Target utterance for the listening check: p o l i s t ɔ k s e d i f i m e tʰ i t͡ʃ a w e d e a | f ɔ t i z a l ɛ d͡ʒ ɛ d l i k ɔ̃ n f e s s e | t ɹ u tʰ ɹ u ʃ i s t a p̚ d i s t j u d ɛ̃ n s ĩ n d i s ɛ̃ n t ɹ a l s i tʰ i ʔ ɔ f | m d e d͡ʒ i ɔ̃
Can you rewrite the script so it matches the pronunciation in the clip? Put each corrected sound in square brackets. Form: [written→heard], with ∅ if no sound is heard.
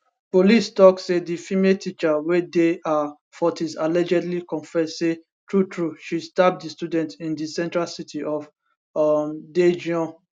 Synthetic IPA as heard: p o l i s t ɔ k s e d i f i m e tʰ i t͡ʃ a w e d e a | f ɔ t i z a l ɛ d͡ʒ ɛ d l i k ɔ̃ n f [e→ɛ] s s e | t ɹ u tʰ ɹ u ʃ i s t a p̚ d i s t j u d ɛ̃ n [s→t] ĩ n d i s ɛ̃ n t ɹ a l s i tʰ i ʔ ɔ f | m d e d͡ʒ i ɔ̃